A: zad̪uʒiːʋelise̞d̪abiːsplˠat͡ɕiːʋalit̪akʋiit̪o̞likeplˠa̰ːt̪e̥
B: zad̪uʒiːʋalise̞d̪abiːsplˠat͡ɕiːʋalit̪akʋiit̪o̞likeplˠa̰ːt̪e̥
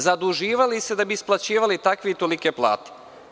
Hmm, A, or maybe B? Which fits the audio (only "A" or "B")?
B